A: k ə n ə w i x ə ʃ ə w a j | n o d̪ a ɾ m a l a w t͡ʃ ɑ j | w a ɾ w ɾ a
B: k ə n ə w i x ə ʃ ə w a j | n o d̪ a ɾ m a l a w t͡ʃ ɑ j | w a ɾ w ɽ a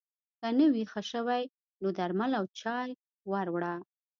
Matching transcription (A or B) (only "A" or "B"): B